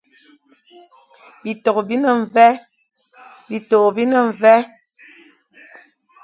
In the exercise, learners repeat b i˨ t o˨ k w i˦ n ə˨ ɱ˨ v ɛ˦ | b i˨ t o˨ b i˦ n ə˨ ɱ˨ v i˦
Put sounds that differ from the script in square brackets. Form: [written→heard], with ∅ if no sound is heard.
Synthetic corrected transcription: b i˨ t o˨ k [w→b] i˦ n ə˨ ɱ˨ v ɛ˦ | b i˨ t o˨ b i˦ n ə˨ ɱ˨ v [i˦→ɛ˦]